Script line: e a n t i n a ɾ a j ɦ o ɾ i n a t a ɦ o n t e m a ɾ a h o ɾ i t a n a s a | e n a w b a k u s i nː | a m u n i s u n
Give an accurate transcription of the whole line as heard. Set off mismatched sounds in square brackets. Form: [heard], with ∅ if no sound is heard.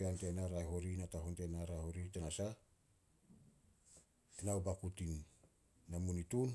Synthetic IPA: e a n t [e] n a ɾ a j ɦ o ɾ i n a t a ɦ o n t e [n] a ɾ a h o ɾ i t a n a s a | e n a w b a k u [t] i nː | a m u n i [t] u n